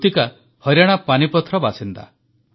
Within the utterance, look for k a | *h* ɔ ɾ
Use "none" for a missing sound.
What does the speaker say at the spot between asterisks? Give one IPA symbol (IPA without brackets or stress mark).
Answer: h